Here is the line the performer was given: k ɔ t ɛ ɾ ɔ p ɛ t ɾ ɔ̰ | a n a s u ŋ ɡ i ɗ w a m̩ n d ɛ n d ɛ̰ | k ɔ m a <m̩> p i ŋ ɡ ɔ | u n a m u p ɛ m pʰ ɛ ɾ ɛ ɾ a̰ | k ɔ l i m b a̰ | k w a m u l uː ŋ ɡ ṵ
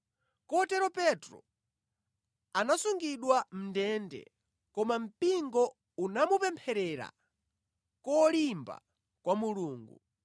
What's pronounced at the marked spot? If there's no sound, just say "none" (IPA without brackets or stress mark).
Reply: m̩